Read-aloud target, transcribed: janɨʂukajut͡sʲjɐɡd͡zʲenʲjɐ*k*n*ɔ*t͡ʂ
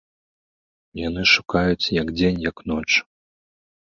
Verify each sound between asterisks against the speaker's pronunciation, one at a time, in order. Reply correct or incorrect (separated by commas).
correct, correct